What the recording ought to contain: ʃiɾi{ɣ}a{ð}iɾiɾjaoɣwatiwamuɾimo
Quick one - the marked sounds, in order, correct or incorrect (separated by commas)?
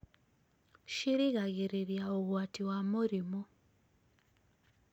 correct, incorrect